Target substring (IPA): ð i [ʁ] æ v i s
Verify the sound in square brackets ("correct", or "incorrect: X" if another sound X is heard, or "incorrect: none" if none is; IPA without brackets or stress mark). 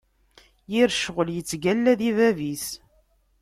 incorrect: v